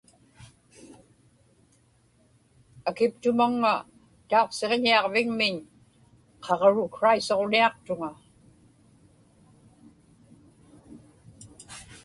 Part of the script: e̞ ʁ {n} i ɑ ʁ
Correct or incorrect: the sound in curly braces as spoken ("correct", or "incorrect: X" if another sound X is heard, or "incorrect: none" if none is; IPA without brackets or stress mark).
incorrect: ɲ